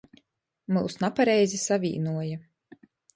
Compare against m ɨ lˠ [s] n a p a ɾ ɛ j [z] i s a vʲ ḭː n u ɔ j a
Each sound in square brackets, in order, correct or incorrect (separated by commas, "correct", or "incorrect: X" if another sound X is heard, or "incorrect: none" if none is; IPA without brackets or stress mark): correct, correct